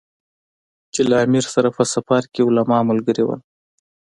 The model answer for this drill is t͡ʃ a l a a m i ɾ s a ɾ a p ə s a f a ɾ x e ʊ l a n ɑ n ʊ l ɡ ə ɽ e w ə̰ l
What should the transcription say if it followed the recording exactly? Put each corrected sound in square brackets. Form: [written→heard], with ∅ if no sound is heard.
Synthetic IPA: t͡ʃ [a→e] l a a m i ɾ s a ɾ a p ə s a f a ɾ [x→k] e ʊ l a [n→m] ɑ [n→m] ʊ l ɡ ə [ɽ→ɾ] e w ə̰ l

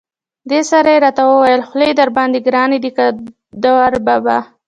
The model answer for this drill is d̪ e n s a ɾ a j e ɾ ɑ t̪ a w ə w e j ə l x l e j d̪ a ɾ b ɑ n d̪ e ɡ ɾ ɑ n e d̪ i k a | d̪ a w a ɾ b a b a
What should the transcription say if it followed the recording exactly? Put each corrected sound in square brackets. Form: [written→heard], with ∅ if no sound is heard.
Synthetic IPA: d̪ e [n→∅] s a ɾ a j e ɾ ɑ t̪ a w ə w [e→a] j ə l x l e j d̪ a ɾ b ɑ n d̪ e ɡ ɾ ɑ n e d̪ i k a | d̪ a w a ɾ b a b a

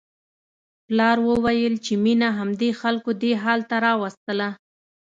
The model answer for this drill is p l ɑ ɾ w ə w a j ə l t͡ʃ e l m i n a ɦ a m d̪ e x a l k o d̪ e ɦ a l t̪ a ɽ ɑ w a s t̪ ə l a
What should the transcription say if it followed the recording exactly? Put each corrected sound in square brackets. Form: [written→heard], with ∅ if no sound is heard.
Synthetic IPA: p l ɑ ɾ w ə w a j ə l t͡ʃ e [l→∅] m i n a ɦ a m d̪ e x a l k o d̪ e ɦ [a→ɑ] l t̪ a [ɽ→ɾ] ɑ w a s t̪ ə l a

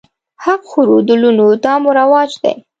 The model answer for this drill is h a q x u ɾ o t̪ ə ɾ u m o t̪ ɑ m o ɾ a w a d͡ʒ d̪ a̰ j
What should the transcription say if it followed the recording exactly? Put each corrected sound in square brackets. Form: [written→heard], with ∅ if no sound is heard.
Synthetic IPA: h a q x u ɾ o [t̪→d̪] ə [ɾ→l] u [m→n] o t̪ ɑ m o ɾ a w [a→ɑ] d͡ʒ d̪ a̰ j

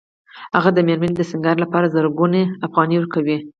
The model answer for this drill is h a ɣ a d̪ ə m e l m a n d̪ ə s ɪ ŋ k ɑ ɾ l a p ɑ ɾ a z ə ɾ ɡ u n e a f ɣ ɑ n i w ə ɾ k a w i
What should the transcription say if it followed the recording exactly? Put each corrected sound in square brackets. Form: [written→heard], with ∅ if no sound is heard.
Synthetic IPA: h a ɣ a d̪ ə m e [l→ɾ] m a n d̪ ə s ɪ ŋ [k→ɡ] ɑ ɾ l a p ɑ ɾ a z ə ɾ ɡ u n e a f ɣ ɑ n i w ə ɾ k a w i

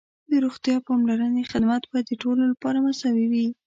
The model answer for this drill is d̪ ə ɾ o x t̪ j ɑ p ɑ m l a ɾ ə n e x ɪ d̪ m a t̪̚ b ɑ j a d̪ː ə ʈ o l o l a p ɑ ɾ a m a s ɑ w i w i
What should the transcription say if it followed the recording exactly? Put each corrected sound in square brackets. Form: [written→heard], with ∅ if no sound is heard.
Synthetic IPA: d̪ ə ɾ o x t̪ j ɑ p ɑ m l a ɾ ə n e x ɪ d̪ m a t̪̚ b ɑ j a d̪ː ə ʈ o l o l a p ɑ ɾ a m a s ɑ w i w i

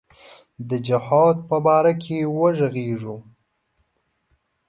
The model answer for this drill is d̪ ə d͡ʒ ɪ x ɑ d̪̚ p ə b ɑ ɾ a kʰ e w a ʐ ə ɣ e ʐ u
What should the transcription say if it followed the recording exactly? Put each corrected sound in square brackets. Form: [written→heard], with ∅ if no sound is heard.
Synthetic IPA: d̪ ə d͡ʒ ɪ [x→h] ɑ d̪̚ p ə b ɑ ɾ a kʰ e w [a→ə] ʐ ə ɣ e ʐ u

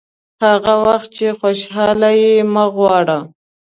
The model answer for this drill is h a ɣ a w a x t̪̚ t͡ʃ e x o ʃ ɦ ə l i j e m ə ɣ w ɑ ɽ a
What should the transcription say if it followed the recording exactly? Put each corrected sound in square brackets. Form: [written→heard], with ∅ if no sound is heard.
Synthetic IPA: h a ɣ a w a x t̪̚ t͡ʃ e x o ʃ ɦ [ə→ɑ] l [i→a] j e m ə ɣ w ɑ ɽ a

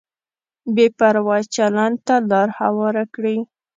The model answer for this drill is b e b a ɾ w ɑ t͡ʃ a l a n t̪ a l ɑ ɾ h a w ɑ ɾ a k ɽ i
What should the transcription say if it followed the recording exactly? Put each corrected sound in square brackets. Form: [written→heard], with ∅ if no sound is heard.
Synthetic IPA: b e [b→p] a ɾ w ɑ t͡ʃ a l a n t̪ a l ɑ ɾ h a w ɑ ɾ a k ɽ i

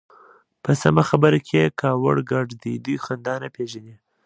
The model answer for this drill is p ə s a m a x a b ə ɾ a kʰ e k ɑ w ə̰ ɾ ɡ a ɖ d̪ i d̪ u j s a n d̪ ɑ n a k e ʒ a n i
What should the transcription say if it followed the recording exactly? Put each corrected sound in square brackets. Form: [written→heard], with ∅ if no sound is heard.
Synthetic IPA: p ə s a m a x a b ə ɾ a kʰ e k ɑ w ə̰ [ɾ→ɽ] ɡ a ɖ d̪ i d̪ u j [s→x] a n d̪ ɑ n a [k→p] e ʒ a n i

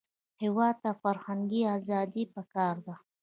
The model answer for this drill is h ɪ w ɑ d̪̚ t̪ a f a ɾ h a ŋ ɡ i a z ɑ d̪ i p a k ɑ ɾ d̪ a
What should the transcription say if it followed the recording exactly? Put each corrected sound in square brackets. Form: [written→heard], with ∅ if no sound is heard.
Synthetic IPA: h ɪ w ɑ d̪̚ t̪ a f a ɾ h a ŋ ɡ i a z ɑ d̪ i p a k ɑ ɾ d̪ a

